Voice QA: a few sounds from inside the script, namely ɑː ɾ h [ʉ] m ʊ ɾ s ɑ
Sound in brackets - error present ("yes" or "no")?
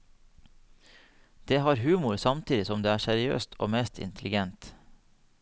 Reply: yes